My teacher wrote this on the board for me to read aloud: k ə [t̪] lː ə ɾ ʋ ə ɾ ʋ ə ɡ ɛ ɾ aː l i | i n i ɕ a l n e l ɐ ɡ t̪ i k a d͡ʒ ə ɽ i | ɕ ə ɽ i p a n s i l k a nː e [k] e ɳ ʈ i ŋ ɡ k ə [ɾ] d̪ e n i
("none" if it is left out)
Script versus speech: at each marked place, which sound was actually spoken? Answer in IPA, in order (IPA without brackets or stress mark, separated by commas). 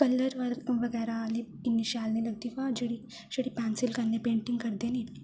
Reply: none, p, ɾ